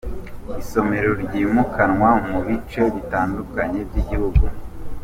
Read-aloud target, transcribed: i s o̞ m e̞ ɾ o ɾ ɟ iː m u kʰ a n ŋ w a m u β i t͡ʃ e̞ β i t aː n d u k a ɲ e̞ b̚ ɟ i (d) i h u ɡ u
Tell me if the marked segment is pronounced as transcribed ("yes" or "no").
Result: no